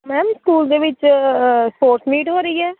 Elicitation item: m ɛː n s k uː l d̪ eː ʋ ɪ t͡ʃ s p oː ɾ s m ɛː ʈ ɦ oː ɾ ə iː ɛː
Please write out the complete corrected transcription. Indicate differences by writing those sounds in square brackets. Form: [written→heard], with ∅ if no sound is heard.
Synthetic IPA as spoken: m ɛː [n→m] s k uː l d̪ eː ʋ ɪ t͡ʃ s p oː ɾ s m [ɛː→iː] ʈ ɦ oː ɾ ə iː ɛː

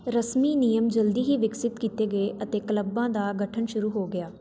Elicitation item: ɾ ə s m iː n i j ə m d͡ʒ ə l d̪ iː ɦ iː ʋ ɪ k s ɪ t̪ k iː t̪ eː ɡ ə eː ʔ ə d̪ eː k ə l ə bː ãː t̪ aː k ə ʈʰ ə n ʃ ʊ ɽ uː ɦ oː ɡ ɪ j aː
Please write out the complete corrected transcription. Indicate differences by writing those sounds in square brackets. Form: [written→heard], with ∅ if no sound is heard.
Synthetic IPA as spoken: ɾ ə s m iː n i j ə m d͡ʒ ə l d̪ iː ɦ iː ʋ ɪ k s ɪ t̪ k iː t̪ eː ɡ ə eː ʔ ə [d̪→t̪] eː k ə l ə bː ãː [t̪→d̪] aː [k→ɡ] ə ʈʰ ə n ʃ ʊ [ɽ→ɾ] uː ɦ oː ɡ ɪ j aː

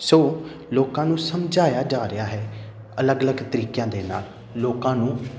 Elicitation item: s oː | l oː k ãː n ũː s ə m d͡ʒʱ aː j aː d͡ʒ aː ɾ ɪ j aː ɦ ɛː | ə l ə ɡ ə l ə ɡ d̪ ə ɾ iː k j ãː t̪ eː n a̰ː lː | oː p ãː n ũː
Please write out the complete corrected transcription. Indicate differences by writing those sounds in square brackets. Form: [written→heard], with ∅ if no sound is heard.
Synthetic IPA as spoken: s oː | l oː k ãː n ũː s ə m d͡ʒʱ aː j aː d͡ʒ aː ɾ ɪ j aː ɦ ɛː | ə l ə ɡ ə l ə ɡ [d̪→t̪] ə ɾ iː k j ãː [t̪→d̪] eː n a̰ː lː | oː [p→k] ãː n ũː

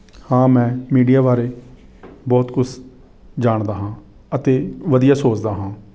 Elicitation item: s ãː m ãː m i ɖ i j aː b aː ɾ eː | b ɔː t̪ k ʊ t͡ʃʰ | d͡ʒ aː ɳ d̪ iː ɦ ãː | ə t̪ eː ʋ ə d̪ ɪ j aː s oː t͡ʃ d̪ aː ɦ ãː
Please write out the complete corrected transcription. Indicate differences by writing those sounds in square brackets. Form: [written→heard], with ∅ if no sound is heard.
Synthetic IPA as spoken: [s→h] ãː m [ãː→ɛ̃ː] m [i→iː] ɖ i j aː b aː ɾ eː | b ɔː t̪ k ʊ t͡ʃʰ | d͡ʒ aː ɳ d̪ [iː→aː] ɦ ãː | ə t̪ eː ʋ ə d̪ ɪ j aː s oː t͡ʃ d̪ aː ɦ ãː

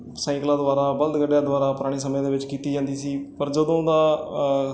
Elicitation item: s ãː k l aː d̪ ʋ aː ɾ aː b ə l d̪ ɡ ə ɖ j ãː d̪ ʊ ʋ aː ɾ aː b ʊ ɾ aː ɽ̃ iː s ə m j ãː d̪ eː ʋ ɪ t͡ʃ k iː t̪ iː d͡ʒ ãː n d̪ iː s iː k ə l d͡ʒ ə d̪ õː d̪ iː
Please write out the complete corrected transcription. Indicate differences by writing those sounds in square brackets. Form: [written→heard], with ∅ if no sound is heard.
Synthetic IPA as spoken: s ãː k l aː d̪ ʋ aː ɾ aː b ə l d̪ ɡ ə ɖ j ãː d̪ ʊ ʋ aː ɾ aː [b→p] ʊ ɾ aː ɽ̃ iː s ə m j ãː d̪ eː ʋ ɪ t͡ʃ k iː t̪ iː d͡ʒ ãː n d̪ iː s iː [k→p] ə [l→ɾ] d͡ʒ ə d̪ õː d̪ [iː→aː]

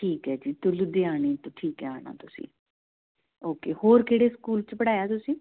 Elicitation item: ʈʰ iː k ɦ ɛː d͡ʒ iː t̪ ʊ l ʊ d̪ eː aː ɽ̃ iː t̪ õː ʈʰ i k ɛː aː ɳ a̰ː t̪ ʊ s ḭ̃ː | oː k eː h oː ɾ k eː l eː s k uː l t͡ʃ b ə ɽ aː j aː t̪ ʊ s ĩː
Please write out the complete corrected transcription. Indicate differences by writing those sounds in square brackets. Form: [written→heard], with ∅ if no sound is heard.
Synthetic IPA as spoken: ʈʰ iː k ɦ ɛː d͡ʒ iː t̪ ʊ l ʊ d̪ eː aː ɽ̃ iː t̪ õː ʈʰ [i→iː] k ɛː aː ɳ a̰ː t̪ ʊ s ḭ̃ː | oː k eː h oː ɾ k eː [l→ɽ] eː s k uː l t͡ʃ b ə ɽ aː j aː t̪ ʊ s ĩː

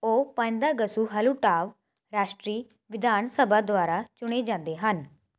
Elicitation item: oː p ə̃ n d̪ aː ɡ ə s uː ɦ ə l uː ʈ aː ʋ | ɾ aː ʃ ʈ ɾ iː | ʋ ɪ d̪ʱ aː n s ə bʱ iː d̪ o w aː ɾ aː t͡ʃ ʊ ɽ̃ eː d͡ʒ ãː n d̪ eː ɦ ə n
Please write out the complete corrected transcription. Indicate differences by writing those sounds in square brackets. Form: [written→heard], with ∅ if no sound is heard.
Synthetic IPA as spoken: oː p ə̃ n d̪ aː ɡ ə s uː ɦ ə l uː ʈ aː ʋ | ɾ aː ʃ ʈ ɾ iː | ʋ ɪ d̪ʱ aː n s ə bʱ [iː→aː] d̪ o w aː ɾ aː t͡ʃ ʊ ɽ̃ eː d͡ʒ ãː n d̪ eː ɦ ə n

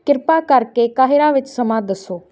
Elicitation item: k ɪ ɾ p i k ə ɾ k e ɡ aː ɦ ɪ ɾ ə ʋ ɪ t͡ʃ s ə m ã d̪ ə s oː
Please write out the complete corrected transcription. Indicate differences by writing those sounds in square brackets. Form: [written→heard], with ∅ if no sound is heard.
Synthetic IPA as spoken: k ɪ ɾ p [i→a] k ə ɾ k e [ɡ→k] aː ɦ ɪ ɾ [ə→a] ʋ ɪ t͡ʃ s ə m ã d̪ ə s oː

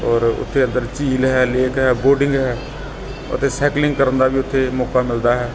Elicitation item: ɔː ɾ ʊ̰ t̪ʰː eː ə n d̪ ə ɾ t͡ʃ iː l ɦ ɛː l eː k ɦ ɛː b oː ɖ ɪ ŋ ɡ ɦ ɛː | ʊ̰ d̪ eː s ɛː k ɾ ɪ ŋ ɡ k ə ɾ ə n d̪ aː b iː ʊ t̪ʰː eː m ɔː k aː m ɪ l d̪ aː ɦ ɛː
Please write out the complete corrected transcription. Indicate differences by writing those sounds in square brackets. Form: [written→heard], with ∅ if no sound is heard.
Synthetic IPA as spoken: ɔː ɾ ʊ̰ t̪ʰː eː ə n d̪ ə ɾ t͡ʃ iː l ɦ ɛː l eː k ɦ ɛː b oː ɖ ɪ ŋ ɡ ɦ ɛː | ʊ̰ [d̪→t̪] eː s ɛː k [ɾ→l] ɪ ŋ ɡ k ə ɾ ə n d̪ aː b iː ʊ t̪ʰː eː m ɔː k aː m ɪ l d̪ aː ɦ ɛː

